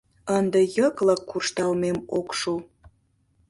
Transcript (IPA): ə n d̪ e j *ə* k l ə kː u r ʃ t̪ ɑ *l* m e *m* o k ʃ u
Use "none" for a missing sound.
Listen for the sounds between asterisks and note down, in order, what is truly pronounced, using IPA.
ə, l, m

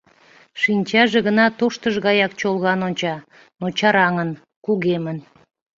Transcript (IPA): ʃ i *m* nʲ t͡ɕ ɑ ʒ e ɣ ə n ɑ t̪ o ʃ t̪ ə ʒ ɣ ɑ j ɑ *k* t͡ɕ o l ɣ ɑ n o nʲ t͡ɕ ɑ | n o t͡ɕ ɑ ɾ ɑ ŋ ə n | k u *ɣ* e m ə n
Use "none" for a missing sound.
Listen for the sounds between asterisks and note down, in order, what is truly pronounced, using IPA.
none, k, ɣ

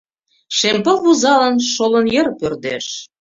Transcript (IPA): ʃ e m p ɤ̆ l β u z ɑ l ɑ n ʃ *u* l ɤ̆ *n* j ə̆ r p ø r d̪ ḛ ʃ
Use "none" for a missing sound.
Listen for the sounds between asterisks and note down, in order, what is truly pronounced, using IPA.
o, n

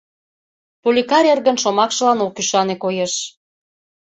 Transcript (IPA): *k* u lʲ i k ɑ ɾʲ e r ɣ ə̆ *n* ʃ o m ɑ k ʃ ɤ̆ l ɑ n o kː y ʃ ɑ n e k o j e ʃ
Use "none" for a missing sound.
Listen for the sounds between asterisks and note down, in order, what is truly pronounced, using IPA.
p, n

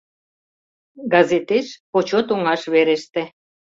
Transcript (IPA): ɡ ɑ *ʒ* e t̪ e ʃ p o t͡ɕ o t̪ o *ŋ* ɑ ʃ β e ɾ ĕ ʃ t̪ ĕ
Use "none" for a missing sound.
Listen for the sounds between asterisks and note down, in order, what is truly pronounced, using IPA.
z, ŋ

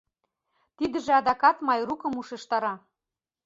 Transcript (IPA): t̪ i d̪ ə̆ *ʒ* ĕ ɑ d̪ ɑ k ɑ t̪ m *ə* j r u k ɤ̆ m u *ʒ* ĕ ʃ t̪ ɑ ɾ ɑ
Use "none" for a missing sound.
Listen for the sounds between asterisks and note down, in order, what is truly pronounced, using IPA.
ʒ, ɑ, ʃ

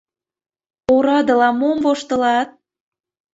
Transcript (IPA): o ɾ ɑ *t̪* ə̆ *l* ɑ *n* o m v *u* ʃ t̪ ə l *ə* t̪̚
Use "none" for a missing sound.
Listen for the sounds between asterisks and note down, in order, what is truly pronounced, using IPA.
d̪, l, m, o, ɑ

